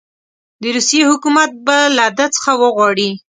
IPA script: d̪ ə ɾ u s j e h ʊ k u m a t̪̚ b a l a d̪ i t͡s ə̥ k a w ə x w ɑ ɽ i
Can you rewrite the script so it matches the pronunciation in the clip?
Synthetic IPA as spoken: d̪ ə ɾ u s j e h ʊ k u m a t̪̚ b a l a d̪ a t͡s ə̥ x a w ə ɣ w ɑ ɽ i